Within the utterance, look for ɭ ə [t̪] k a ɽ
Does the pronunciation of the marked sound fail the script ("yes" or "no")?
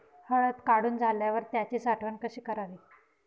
no